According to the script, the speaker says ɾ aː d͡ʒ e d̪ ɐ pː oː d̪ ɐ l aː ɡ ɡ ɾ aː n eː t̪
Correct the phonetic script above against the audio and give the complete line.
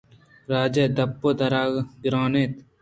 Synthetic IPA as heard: ɾ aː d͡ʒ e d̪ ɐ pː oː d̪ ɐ ɾ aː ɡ ɡ ɾ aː n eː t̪